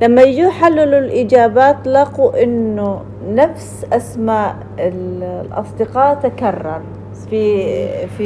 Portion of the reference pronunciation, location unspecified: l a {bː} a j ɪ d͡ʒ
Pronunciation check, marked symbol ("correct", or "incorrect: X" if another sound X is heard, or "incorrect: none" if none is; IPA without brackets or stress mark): incorrect: mː